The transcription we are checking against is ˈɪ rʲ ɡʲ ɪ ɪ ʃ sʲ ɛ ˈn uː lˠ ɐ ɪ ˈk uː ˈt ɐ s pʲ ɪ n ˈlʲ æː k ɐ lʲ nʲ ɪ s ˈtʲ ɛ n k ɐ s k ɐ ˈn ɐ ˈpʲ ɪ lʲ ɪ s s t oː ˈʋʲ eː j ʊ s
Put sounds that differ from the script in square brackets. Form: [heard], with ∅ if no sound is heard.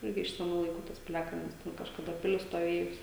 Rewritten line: ˈɪ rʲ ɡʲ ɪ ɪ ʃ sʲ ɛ ˈn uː lˠ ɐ ɪ ˈk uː ˈt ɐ s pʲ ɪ [∅] ˈlʲ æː k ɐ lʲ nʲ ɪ s ˈtʲ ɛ n k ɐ [ʃ] k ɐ [ˈd] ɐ ˈpʲ ɪ lʲ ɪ s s t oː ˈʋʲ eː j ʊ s